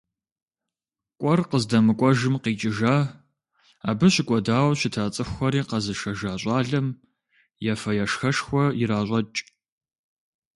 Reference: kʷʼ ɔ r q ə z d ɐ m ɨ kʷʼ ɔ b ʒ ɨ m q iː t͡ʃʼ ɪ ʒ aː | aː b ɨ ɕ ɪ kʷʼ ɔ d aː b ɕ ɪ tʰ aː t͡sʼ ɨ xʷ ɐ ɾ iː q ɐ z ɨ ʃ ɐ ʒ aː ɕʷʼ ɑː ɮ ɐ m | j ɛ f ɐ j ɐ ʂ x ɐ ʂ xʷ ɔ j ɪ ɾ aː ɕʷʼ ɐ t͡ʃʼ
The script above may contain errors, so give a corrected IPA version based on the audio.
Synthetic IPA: kʷʼ ɔ r q ə z d ɐ m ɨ kʷʼ ɔ ʒ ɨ m q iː t͡ʃʼ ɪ ʒ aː | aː b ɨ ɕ ɪ kʷʼ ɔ d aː w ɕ ɪ tʰ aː t͡sʼ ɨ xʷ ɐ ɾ iː q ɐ z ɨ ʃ ɐ ʒ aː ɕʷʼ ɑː ɮ ɐ m | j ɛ f ɐ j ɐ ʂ x ɐ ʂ xʷ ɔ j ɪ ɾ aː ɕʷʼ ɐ t͡ʃʼ